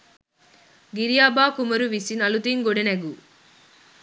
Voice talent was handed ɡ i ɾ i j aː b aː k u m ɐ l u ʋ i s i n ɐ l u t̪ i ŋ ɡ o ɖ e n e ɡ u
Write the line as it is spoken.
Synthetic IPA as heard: ɡ i ɾ i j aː b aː k u m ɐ ɾ u ʋ i s i n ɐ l u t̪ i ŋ ɡ o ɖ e n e ɡ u